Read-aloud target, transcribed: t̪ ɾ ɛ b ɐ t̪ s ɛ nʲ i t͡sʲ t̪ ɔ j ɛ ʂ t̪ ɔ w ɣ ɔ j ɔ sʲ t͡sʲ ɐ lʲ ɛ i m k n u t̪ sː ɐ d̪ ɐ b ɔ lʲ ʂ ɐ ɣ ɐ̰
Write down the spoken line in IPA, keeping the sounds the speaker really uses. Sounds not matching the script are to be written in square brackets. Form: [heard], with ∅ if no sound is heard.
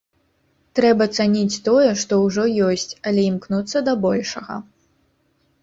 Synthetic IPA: t̪ ɾ ɛ b ɐ t̪ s [a] nʲ i t͡sʲ t̪ ɔ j ɛ ʂ t̪ ɔ w [ʐ] ɔ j ɔ sʲ t͡sʲ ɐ lʲ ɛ i m k n u t̪ sː ɐ d̪ ɐ b ɔ lʲ ʂ ɐ ɣ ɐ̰